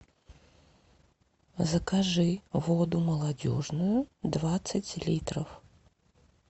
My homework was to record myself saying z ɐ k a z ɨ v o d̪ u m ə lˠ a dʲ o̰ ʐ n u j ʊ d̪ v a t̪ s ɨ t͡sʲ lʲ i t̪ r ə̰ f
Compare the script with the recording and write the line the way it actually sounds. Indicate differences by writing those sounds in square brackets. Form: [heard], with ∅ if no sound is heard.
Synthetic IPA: z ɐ k a [ʐ] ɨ v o d̪ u m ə lˠ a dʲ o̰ ʐ n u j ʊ d̪ v a t̪ s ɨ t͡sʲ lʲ i t̪ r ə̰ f